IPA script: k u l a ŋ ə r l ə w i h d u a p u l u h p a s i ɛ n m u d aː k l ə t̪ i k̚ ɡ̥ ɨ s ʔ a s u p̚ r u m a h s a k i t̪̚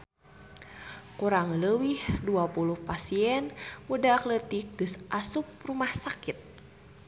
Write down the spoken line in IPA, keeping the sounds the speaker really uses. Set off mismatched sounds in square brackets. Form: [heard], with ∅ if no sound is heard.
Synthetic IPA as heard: k u [ɾ] a ŋ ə [∅] l ə w i h d u a p u l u h p a s i ɛ n m u d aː k l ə t̪ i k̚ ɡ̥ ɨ s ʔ a s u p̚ r u m a h s a k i t̪̚